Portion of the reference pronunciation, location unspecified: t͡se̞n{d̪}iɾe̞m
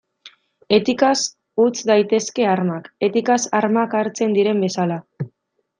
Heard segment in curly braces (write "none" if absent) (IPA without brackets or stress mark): d̪